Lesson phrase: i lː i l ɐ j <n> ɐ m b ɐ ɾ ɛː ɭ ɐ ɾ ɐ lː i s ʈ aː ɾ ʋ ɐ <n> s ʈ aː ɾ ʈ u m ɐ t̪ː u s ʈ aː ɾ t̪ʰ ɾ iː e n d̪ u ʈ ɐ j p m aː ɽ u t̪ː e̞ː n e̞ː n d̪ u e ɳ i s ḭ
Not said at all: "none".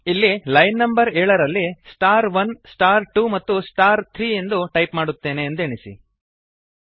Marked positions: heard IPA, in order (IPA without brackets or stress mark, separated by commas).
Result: nː, n